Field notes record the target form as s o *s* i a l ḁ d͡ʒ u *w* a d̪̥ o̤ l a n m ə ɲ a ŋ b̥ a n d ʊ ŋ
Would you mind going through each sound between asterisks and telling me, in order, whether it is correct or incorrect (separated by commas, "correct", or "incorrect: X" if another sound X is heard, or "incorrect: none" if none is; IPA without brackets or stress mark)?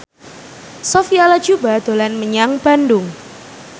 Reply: incorrect: f, incorrect: b